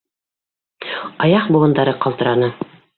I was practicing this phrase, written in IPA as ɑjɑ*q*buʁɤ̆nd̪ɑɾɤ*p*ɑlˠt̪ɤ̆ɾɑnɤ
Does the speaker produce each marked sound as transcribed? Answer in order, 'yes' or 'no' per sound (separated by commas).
yes, no